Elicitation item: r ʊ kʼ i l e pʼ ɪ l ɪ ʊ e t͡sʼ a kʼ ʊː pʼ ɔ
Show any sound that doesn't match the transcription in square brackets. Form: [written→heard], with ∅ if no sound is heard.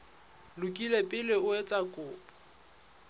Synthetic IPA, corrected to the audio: [r→l] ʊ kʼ i l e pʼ ɪ l ɪ ʊ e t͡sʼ a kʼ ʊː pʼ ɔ